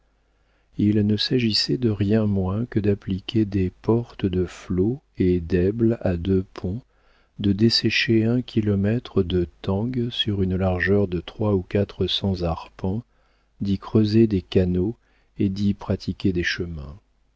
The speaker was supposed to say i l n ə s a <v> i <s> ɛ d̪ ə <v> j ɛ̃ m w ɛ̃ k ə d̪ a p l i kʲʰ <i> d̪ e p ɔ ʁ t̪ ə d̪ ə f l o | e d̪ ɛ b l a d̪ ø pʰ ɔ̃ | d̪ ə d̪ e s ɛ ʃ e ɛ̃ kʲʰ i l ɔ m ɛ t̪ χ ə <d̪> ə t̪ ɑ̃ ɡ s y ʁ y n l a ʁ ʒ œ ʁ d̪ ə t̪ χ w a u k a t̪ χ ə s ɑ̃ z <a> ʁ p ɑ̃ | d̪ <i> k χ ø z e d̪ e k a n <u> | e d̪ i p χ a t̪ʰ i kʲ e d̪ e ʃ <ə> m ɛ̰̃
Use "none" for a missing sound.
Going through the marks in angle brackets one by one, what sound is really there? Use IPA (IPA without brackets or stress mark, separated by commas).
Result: ʒ, s, ʁ, e, d̪, a, i, o, ə